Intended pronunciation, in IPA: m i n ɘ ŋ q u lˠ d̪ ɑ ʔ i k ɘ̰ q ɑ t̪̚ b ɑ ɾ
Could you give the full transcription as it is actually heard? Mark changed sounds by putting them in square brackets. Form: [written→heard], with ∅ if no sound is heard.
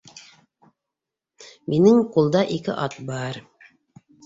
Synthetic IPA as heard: m i n ɘ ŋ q u lˠ d̪ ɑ ʔ i k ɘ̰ [q→ʔ] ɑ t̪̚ b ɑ ɾ